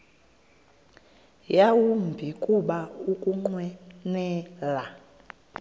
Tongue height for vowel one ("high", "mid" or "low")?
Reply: low